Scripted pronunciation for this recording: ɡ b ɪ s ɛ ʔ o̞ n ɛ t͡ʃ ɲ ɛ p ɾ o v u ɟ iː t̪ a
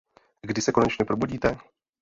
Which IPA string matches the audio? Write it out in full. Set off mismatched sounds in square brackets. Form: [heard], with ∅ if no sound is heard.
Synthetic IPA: ɡ [d] ɪ s ɛ [k] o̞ n ɛ t͡ʃ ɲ ɛ p ɾ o [b] u ɟ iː t̪ [ɛ]

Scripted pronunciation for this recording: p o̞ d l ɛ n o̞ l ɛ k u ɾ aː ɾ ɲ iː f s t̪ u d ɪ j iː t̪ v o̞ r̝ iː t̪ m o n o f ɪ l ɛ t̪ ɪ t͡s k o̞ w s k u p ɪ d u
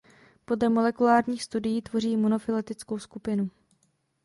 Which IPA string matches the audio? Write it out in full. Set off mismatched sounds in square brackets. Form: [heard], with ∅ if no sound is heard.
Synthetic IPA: p o̞ d l ɛ [m] o̞ l ɛ k u [l] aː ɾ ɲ iː [x] s t̪ u d ɪ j iː t̪ v o̞ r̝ iː [∅] m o n o f ɪ l ɛ t̪ ɪ t͡s k o̞ w s k u p ɪ [n] u

